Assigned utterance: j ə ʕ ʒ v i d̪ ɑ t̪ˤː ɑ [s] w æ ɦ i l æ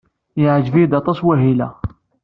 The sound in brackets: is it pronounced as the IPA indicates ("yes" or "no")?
yes